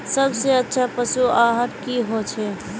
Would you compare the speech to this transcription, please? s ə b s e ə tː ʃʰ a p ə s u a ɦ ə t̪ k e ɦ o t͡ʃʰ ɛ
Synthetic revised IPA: s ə b s e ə tː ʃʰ a p ə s u a ɦ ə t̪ k i ɦ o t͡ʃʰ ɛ